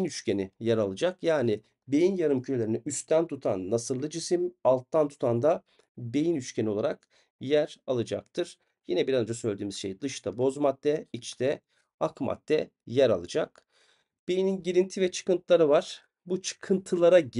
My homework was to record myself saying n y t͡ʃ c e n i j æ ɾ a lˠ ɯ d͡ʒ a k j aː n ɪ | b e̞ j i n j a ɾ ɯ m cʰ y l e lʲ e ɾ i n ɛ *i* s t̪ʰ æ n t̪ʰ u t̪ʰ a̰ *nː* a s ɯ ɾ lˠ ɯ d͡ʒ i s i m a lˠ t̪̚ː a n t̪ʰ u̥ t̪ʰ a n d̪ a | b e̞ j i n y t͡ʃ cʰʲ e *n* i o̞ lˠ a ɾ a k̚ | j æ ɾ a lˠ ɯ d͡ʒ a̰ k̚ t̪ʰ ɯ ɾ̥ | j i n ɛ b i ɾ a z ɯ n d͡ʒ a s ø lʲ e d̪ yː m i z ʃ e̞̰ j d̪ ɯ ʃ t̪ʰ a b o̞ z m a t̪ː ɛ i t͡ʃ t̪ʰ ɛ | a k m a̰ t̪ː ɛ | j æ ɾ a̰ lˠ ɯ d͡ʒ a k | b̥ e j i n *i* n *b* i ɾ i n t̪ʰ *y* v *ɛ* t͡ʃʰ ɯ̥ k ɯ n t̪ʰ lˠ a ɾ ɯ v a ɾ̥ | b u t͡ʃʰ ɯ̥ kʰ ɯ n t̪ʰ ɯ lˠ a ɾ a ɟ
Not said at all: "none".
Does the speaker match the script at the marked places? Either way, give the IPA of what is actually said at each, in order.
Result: y, nː, n, i, ɟ, i, ɛ

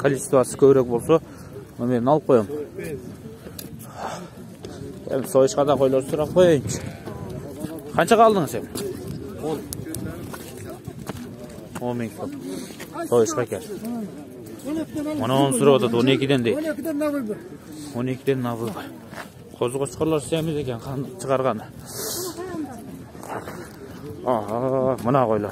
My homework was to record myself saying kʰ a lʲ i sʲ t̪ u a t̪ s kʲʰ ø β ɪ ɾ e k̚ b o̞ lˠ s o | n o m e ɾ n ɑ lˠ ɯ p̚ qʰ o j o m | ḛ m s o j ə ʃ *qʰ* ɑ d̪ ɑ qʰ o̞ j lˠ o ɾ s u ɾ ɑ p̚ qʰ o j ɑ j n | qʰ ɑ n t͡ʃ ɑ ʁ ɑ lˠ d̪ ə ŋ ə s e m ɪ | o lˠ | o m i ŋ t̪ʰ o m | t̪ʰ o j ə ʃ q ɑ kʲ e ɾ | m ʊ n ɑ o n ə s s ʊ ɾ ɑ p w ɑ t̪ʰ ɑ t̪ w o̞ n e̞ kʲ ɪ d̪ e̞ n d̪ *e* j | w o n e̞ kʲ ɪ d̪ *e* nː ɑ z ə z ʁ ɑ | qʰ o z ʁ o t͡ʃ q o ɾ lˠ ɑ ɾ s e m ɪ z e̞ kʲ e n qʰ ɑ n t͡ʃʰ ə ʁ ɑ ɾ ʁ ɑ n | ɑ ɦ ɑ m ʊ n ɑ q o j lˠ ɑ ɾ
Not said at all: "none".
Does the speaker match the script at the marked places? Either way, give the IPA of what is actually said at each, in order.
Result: q, e, e

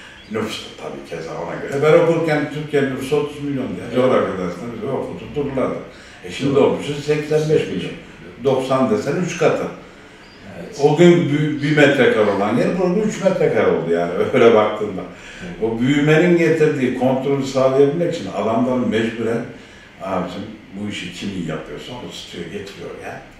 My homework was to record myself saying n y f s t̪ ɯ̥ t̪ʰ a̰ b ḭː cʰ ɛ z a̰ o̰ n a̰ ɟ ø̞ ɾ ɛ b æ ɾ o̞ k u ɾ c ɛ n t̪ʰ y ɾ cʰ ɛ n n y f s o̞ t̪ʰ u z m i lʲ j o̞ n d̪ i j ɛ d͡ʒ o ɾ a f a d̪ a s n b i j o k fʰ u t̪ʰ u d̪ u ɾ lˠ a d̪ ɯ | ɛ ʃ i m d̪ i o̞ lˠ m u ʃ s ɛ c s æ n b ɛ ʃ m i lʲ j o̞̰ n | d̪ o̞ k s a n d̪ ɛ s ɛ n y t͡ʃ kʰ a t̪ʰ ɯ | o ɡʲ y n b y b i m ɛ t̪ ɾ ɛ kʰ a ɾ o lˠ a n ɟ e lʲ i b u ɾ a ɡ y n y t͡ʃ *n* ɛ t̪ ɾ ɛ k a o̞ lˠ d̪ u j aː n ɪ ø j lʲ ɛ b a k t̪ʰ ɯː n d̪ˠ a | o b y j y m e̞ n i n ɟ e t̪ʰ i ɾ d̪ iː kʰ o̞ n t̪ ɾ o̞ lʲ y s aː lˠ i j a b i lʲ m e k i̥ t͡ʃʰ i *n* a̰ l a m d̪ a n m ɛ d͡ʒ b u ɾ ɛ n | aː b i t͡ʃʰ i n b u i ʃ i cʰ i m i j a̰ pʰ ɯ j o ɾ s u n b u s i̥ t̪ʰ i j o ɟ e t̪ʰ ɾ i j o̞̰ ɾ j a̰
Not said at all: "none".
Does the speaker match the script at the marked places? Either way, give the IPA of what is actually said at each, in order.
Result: m, n

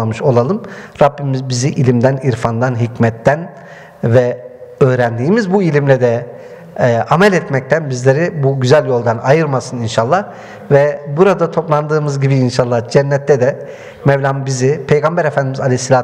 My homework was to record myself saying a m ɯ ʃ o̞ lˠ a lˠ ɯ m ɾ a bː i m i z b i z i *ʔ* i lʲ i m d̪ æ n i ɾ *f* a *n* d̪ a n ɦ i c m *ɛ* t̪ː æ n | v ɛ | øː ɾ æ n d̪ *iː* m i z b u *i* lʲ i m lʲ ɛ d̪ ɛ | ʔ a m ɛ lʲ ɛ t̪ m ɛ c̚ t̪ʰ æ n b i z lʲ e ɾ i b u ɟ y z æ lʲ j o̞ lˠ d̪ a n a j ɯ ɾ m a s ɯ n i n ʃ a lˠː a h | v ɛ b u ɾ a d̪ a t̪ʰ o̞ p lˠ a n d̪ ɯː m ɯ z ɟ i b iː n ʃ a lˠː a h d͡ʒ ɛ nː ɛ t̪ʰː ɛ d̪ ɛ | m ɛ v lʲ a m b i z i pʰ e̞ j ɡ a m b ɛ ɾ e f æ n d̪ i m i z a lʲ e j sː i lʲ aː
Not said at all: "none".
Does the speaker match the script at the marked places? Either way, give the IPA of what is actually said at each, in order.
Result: ʔ, f, n, ɛ, iː, i

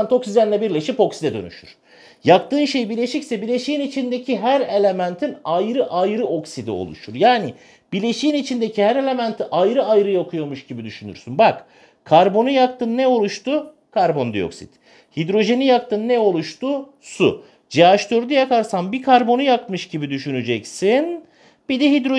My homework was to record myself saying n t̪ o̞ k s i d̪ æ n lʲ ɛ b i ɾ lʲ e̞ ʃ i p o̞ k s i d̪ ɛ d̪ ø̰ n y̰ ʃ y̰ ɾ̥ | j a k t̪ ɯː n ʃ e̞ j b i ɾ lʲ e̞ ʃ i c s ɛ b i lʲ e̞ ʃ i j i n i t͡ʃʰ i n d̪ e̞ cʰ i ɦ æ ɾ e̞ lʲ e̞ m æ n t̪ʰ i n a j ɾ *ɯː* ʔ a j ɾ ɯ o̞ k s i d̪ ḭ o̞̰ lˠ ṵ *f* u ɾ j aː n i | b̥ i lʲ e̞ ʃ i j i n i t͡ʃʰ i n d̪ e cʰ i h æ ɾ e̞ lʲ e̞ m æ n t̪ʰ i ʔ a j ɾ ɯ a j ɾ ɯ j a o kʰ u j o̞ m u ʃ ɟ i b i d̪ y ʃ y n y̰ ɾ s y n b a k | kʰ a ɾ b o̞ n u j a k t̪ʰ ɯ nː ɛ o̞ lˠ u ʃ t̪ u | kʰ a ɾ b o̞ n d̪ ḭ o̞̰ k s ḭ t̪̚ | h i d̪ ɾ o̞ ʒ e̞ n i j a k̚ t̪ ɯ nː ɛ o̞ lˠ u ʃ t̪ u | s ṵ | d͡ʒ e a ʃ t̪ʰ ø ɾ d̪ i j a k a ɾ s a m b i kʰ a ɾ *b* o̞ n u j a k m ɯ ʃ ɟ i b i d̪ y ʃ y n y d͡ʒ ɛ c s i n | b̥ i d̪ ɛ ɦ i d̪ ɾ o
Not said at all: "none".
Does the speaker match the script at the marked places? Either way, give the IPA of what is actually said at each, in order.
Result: ɯ, ʃ, b

